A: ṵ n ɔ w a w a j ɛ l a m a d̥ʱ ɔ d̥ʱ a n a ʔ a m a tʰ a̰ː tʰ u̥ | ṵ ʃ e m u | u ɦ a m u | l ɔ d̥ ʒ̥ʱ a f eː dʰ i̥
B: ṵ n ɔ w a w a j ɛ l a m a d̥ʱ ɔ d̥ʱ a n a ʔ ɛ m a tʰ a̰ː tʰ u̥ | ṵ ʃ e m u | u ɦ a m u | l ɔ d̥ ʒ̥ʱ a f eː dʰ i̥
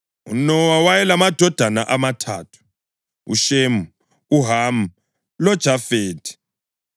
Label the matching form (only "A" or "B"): A